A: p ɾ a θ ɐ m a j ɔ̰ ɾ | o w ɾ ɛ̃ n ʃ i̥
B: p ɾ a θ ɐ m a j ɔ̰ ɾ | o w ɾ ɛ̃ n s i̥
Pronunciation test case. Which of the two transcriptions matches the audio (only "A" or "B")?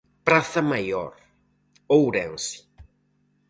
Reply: B